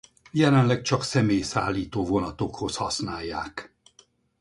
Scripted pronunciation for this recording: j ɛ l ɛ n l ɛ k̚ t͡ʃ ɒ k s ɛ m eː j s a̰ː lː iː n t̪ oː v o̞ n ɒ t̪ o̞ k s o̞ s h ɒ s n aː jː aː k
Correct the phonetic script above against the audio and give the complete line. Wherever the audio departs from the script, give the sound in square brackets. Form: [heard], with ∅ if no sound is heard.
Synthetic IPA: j ɛ l ɛ n l ɛ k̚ t͡ʃ ɒ k s ɛ m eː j s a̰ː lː iː [∅] t̪ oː v o̞ n ɒ t̪ o̞ k [h] o̞ s h ɒ s n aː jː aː k